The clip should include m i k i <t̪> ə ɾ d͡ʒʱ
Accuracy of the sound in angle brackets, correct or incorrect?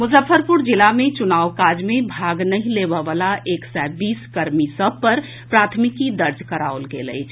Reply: incorrect